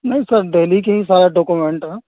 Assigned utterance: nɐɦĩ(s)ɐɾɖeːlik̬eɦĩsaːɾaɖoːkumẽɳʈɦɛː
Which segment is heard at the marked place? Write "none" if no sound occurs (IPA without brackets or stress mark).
s